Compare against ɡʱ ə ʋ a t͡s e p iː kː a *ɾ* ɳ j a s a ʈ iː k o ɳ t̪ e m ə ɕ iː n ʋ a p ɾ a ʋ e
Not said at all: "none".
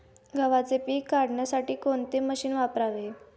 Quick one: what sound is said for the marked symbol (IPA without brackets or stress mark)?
ɽ